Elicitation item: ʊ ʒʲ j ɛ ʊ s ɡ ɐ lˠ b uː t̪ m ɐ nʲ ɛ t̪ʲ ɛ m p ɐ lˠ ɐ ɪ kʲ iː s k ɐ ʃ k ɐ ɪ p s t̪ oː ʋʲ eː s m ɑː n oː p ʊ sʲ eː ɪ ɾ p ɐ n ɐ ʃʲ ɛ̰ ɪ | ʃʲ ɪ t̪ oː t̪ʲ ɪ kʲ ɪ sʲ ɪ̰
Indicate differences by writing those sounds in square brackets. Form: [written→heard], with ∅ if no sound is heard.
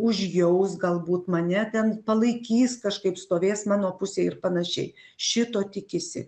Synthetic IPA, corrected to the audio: ʊ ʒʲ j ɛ ʊ s ɡ ɐ lˠ b uː t̪ m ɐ nʲ ɛ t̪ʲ ɛ [m→n] p ɐ lˠ ɐ ɪ kʲ iː s k ɐ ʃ k ɐ ɪ p s t̪ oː ʋʲ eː s m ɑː n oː p ʊ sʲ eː ɪ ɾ p ɐ n ɐ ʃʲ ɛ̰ ɪ | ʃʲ ɪ t̪ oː t̪ʲ ɪ kʲ ɪ sʲ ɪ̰